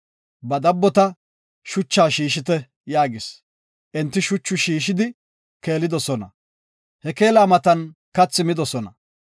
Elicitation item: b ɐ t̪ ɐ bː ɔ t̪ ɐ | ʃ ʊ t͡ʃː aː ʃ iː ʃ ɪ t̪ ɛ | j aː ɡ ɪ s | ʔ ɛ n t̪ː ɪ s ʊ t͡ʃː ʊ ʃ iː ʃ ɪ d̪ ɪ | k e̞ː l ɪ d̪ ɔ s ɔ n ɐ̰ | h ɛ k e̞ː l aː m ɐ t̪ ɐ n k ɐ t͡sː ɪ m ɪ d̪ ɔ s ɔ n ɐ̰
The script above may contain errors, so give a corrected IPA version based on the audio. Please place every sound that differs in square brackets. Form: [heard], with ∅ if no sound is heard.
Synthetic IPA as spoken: b ɐ [d̪] ɐ bː ɔ t̪ ɐ | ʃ ʊ t͡ʃː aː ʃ iː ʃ ɪ t̪ ɛ | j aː ɡ ɪ s | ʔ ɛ n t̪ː ɪ [ʃ] ʊ t͡ʃː ʊ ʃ iː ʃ ɪ d̪ ɪ | k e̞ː l ɪ d̪ ɔ s ɔ n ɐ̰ | h ɛ k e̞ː l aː m ɐ t̪ ɐ n k ɐ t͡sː ɪ m ɪ d̪ ɔ s ɔ n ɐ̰

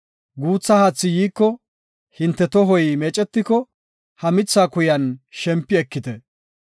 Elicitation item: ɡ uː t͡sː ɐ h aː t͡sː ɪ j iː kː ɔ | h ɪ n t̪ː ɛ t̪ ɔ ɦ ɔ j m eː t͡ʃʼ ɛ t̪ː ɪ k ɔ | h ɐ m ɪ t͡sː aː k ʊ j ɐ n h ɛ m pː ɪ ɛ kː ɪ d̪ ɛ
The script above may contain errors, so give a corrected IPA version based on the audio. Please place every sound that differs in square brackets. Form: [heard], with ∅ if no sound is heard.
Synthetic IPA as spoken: ɡ uː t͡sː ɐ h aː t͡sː ɪ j iː kː ɔ | h ɪ n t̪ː ɛ t̪ ɔ ɦ ɔ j m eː t͡ʃʼ ɛ t̪ː ɪ k ɔ | h ɐ m ɪ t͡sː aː k ʊ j ɐ n [ʃ] ɛ m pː ɪ ɛ kː ɪ [t̪] ɛ

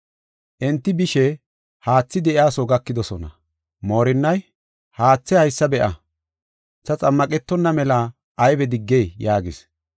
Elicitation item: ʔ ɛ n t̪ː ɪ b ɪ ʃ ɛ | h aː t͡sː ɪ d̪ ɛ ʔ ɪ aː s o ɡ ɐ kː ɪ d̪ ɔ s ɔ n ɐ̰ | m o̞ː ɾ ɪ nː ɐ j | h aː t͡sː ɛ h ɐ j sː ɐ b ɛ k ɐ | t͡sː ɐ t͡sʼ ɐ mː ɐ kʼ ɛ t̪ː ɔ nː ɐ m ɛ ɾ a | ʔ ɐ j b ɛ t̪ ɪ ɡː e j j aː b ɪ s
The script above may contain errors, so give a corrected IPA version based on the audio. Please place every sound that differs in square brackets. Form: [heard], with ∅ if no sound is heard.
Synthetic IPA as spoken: ʔ ɛ n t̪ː ɪ b ɪ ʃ ɛ | h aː t͡sː ɪ d̪ ɛ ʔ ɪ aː s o ɡ ɐ kː ɪ d̪ ɔ s ɔ n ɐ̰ | m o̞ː ɾ ɪ nː ɐ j | h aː t͡sː ɛ h ɐ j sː ɐ b ɛ [ʔ] ɐ | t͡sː ɐ t͡sʼ ɐ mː ɐ kʼ ɛ t̪ː ɔ nː ɐ m ɛ [l] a | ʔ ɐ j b ɛ [d̪] ɪ ɡː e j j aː [ɡ] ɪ s

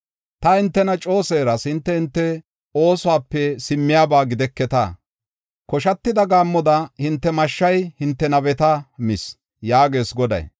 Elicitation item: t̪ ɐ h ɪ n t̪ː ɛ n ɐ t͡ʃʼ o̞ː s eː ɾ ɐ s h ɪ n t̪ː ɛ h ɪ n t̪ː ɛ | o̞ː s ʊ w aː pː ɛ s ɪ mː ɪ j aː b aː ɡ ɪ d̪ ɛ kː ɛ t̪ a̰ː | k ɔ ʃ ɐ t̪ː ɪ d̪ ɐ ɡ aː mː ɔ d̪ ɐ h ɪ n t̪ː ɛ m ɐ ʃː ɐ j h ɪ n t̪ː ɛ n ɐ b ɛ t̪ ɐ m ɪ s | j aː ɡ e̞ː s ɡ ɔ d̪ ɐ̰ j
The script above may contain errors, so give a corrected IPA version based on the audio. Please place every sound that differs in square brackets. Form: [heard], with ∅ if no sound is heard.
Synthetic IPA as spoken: t̪ ɐ h ɪ n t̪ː ɛ n ɐ t͡ʃʼ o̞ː s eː ɾ ɐ s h ɪ n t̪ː ɛ h ɪ n t̪ː ɛ | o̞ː s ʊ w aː pː ɛ s ɪ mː ɪ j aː b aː ɡ ɪ d̪ ɛ kː ɛ t̪ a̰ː | k ɔ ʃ ɐ t̪ː ɪ d̪ ɐ ɡ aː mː ɔ d̪ ɐ h ɪ n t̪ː ɛ m ɐ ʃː ɐ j h ɪ n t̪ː ɛ n ɐ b ɛ t̪ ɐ m ɪ s | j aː ɡ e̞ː s ɡ ɔ d̪ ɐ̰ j

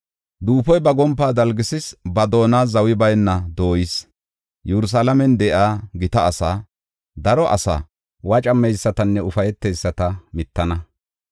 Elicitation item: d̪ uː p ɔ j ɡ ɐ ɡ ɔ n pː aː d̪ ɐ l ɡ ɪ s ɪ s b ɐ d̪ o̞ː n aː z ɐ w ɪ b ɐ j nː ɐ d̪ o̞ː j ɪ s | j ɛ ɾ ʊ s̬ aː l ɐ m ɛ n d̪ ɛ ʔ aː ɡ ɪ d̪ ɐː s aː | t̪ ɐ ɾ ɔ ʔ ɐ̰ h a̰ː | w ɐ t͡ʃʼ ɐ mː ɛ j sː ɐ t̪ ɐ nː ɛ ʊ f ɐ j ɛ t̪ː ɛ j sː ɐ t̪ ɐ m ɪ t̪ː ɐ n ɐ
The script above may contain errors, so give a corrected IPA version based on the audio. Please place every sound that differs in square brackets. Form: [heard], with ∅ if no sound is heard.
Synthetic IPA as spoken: d̪ uː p ɔ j [b] ɐ ɡ ɔ [m] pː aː d̪ ɐ l ɡ ɪ s ɪ s b ɐ d̪ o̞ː n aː z ɐ w ɪ b ɐ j nː ɐ d̪ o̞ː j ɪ s | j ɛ ɾ ʊ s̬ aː l ɐ m ɛ n d̪ ɛ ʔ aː ɡ ɪ [t̪] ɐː s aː | [d̪] ɐ ɾ ɔ ʔ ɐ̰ [s] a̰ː | w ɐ t͡ʃʼ ɐ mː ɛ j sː ɐ t̪ ɐ nː ɛ ʊ f ɐ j ɛ t̪ː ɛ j sː ɐ t̪ ɐ m ɪ t̪ː ɐ n ɐ

